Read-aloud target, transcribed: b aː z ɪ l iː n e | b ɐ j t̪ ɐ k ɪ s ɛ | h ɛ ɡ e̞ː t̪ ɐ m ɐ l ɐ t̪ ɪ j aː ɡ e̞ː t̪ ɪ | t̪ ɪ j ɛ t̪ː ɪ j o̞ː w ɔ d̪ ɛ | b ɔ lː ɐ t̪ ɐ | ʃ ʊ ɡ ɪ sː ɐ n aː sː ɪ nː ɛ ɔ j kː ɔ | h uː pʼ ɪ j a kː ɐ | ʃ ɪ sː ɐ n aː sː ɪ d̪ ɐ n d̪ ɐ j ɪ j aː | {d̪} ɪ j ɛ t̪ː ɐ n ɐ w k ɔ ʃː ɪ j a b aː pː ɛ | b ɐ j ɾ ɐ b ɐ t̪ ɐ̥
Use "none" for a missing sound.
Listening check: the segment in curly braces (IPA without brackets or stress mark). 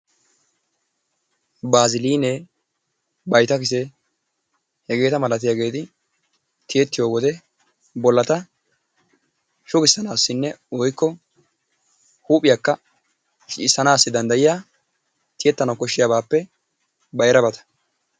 t̪